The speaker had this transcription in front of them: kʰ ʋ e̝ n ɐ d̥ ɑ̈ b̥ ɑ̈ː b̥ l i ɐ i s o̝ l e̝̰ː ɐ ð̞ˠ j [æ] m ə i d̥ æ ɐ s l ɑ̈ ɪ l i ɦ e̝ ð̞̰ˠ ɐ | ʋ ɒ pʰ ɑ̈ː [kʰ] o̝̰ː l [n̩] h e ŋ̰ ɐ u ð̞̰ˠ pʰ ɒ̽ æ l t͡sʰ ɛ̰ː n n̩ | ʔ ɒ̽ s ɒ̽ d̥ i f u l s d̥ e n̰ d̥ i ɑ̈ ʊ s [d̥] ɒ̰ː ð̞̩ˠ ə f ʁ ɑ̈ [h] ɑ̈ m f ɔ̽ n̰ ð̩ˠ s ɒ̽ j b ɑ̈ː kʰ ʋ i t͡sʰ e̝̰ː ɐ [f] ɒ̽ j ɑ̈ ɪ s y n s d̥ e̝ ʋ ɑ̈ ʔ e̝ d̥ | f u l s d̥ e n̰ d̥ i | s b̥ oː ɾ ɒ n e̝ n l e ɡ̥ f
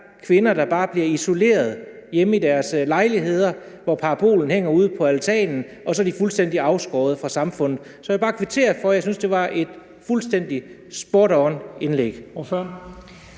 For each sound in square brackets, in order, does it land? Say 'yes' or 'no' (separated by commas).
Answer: no, no, yes, no, no, yes